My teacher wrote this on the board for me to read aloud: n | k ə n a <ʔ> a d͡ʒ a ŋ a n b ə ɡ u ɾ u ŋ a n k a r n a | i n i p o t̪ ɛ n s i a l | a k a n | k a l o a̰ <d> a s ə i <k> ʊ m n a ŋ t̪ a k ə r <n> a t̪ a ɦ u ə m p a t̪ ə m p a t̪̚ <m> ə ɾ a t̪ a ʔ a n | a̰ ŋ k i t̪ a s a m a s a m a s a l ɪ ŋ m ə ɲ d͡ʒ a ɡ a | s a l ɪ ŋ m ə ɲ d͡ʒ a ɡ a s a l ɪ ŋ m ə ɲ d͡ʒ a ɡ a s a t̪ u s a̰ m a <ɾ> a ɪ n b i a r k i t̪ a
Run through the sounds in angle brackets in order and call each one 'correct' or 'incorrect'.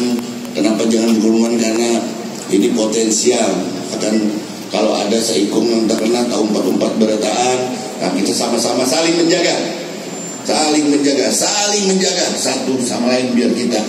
incorrect: p, correct, correct, correct, incorrect: b, incorrect: l

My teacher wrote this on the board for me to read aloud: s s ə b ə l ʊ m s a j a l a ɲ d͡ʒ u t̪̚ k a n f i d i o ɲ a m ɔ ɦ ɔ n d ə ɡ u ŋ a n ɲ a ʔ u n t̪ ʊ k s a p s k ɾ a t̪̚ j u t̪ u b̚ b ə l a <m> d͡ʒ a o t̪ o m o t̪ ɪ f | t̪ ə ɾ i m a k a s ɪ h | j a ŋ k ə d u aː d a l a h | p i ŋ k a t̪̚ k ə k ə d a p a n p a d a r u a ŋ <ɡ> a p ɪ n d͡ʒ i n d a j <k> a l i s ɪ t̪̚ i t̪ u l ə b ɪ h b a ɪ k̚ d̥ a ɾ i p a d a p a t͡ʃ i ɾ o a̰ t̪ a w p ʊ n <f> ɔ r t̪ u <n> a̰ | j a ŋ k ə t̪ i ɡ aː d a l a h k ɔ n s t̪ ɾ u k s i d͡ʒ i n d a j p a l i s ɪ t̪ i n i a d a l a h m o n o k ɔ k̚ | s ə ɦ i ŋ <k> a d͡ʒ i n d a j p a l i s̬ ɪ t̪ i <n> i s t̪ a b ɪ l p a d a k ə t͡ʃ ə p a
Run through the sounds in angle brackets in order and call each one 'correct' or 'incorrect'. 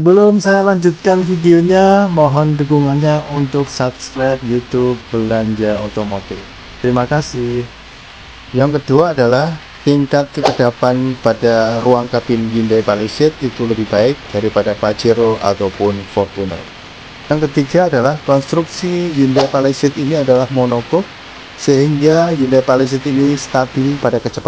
incorrect: ɲ, incorrect: k, incorrect: p, correct, correct, incorrect: ɡ, correct

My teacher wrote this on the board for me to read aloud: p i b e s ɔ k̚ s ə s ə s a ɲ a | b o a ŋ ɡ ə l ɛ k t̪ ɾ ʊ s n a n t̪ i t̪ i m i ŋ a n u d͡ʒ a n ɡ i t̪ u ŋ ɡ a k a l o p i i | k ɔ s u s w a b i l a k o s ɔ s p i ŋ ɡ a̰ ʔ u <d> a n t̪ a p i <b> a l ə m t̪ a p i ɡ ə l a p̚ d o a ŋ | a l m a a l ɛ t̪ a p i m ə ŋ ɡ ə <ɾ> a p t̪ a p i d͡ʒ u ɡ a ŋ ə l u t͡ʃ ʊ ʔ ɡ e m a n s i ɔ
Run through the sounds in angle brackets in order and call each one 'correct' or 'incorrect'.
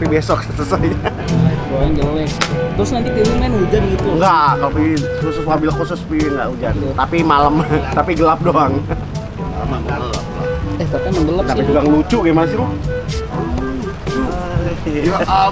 incorrect: d͡ʒ, incorrect: m, incorrect: l

